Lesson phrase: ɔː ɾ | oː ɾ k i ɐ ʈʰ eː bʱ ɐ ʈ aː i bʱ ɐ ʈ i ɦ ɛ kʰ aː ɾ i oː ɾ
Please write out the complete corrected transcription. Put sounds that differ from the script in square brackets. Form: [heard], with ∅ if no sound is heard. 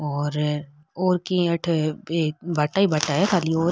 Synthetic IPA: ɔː ɾ | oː ɾ k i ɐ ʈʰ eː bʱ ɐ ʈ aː i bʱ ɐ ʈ [a] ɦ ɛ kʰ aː [l] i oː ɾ